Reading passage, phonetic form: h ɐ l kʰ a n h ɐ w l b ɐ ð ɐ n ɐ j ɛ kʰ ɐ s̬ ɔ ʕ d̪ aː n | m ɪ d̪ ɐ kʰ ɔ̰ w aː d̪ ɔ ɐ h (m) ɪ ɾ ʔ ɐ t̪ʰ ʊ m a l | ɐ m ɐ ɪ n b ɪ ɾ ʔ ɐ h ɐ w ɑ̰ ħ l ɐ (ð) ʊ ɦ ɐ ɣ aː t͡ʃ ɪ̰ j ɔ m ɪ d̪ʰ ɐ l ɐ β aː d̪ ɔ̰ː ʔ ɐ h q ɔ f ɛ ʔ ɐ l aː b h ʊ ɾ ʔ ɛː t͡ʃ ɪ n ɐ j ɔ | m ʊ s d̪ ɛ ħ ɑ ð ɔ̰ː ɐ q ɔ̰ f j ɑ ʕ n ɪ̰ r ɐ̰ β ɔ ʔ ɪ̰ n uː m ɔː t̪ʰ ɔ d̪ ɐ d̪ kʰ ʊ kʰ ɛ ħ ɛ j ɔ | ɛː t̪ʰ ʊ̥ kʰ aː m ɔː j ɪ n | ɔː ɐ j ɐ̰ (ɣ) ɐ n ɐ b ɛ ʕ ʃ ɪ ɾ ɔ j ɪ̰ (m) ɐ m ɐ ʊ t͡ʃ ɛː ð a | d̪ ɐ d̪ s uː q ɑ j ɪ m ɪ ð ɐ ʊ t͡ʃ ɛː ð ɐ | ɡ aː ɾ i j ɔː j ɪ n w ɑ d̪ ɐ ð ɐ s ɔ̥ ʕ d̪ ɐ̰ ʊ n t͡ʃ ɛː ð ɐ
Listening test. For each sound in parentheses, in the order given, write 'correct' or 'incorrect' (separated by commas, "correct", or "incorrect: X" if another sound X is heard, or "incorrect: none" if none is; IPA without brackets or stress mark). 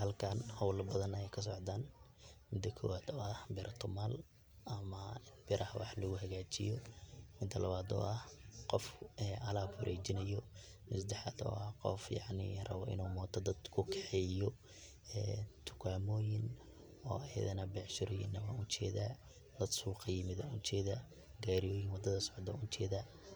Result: incorrect: b, incorrect: ɣ, incorrect: ð, incorrect: n